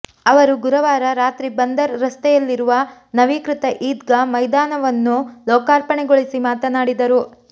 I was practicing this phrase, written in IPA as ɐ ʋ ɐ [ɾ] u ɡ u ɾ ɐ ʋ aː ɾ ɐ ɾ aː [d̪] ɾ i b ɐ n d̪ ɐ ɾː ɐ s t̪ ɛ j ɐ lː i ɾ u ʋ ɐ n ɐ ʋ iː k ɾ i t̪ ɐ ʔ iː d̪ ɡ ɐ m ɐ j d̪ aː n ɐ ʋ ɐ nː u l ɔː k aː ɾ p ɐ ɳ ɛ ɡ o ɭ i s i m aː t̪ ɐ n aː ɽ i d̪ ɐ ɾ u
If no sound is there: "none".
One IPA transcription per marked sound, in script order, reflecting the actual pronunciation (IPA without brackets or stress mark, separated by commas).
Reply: ɾ, t̪